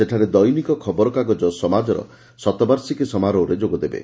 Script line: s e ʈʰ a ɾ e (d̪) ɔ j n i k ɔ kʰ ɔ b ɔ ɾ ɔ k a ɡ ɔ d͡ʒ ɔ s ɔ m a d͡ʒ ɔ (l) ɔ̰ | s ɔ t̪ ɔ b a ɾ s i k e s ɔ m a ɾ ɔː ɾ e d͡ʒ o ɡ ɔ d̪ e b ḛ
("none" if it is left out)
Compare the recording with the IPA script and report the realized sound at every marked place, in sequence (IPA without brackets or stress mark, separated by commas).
d̪, ɾ